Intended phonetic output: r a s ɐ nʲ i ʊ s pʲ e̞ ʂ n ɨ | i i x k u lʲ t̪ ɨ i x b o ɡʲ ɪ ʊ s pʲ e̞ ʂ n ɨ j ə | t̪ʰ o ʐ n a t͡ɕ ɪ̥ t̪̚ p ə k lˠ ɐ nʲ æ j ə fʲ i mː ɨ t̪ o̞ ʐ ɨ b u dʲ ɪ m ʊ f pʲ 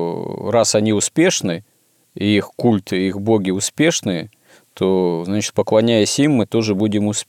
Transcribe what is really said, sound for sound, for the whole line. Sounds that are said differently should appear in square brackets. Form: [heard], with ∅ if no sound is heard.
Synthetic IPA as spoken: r a s ɐ nʲ i ʊ s pʲ e̞ ʂ n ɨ | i i x k u lʲ t̪ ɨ i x b o ɡʲ ɪ ʊ s pʲ e̞ ʂ n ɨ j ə | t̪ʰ o [z] n a t͡ɕ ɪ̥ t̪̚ p ə k lˠ ɐ nʲ æ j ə [sʲ] i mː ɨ t̪ o̞ ʐ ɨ b u dʲ ɪ m ʊ [s] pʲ